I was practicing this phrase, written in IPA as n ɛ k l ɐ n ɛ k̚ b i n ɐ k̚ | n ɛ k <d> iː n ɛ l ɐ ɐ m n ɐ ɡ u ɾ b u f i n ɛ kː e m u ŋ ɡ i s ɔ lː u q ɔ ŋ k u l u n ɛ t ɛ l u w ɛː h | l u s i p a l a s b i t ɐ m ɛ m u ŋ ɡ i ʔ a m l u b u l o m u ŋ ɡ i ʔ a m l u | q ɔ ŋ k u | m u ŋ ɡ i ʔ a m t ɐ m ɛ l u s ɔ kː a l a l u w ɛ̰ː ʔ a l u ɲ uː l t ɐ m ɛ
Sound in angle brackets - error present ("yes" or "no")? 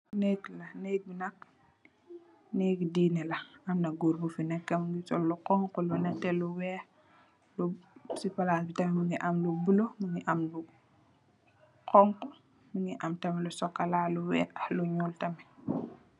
no